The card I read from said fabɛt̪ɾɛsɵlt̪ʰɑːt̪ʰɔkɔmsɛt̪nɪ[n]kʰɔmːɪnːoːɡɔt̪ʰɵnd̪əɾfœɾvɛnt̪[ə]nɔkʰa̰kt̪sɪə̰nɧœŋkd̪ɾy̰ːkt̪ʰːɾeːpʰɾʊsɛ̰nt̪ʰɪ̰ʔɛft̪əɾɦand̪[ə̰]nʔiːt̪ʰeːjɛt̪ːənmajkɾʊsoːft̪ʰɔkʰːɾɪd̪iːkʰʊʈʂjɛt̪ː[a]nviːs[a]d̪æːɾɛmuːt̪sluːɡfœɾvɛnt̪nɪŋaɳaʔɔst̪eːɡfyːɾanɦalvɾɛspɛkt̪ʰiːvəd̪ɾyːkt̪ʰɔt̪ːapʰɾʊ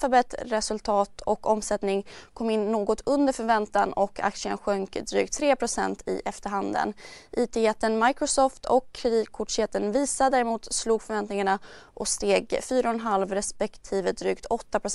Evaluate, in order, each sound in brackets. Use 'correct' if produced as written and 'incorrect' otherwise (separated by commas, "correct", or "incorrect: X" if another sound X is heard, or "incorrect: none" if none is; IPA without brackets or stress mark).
incorrect: ŋ, incorrect: a, correct, incorrect: ə, correct